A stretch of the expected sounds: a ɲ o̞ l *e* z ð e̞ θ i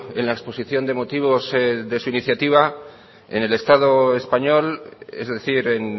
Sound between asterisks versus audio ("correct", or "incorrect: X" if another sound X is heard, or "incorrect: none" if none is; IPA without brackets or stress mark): correct